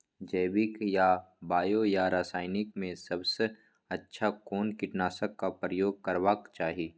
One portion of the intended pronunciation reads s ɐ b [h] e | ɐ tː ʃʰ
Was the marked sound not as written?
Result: yes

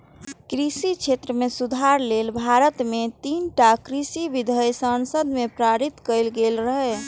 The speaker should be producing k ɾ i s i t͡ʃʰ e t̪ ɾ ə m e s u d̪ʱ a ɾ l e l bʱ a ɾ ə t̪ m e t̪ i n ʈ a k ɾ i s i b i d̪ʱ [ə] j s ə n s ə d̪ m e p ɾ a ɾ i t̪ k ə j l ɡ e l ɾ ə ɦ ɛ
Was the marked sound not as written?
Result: no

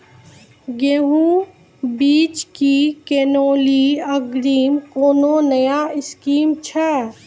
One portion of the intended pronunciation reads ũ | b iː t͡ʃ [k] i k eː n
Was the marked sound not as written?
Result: no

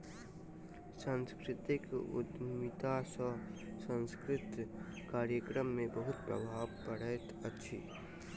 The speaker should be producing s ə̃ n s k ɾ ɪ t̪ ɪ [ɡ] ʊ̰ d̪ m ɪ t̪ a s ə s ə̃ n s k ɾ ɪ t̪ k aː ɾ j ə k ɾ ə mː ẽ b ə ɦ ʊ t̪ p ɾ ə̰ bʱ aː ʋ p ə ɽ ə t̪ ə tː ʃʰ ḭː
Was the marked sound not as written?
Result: yes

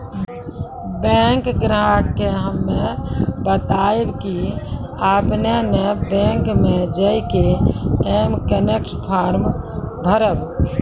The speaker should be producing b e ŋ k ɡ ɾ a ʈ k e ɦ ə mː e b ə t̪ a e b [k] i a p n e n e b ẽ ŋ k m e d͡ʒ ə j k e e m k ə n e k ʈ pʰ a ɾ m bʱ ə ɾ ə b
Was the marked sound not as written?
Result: no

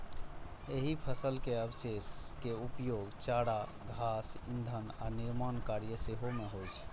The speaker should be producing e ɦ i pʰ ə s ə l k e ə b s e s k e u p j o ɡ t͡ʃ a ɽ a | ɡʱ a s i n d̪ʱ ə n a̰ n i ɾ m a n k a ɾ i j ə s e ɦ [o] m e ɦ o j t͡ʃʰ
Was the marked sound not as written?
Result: no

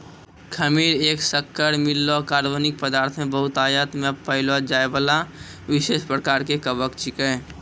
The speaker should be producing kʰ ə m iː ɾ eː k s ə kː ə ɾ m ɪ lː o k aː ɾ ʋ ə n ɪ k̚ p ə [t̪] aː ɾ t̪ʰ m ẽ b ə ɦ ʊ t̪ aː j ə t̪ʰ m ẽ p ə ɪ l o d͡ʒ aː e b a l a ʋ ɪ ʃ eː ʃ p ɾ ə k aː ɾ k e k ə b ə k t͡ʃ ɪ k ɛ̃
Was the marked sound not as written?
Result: yes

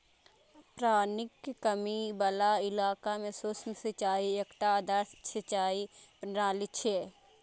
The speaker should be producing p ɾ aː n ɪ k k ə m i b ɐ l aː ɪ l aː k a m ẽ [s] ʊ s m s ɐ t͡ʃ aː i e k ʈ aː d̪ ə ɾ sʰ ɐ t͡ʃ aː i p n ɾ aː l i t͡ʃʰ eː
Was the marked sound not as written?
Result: no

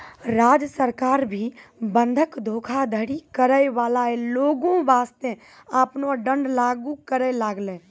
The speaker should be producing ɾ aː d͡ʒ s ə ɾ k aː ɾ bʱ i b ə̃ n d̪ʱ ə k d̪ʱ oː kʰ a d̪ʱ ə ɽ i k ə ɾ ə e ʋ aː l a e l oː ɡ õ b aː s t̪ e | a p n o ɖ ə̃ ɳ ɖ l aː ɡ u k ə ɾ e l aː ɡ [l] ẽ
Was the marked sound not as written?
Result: no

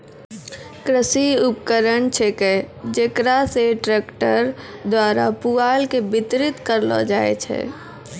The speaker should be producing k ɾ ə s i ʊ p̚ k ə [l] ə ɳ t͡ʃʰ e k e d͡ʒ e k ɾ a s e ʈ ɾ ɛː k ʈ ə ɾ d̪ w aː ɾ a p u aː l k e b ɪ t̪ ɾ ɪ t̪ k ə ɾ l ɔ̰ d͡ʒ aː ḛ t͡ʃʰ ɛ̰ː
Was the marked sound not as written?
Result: yes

